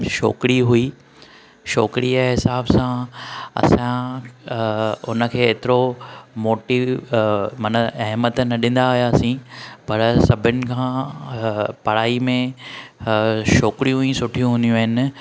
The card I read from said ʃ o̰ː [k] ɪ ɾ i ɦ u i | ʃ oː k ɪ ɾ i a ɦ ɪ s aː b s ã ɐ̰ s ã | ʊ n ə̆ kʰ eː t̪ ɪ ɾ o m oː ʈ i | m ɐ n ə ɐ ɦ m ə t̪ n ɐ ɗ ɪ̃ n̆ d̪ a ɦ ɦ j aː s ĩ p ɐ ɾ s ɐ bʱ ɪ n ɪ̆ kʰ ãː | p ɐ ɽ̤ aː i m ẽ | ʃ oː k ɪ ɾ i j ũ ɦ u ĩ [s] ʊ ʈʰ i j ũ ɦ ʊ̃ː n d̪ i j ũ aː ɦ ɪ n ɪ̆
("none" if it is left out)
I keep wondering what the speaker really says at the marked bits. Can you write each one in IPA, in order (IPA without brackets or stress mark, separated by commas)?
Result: k, s